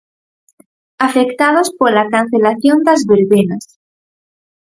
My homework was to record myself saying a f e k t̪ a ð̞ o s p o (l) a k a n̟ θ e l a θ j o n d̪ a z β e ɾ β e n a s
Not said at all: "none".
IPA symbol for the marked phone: l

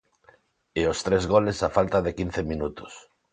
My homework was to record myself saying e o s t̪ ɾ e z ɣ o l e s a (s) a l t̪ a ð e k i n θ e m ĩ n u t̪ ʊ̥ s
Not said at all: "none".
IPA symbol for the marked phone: f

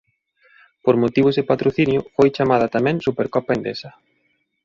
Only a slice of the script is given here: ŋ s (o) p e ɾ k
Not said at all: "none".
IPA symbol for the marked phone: u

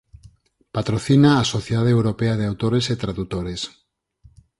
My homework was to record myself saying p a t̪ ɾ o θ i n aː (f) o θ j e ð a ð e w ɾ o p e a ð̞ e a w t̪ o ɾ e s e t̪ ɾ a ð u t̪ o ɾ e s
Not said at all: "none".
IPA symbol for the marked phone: s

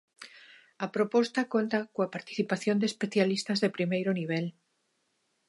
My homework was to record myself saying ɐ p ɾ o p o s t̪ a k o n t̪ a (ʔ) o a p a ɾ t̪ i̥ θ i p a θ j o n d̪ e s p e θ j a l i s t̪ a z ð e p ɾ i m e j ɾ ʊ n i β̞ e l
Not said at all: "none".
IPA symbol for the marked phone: k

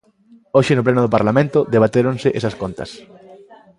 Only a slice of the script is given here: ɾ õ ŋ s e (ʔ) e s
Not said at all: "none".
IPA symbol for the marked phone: ʔ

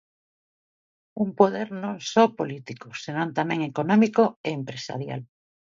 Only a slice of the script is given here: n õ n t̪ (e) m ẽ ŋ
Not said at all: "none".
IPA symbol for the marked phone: a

